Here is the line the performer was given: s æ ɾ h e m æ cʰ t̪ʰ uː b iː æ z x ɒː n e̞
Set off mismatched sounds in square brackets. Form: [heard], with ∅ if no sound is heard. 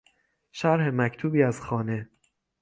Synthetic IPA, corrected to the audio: [ʃ] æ ɾ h e m æ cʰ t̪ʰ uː b iː æ z x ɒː n e̞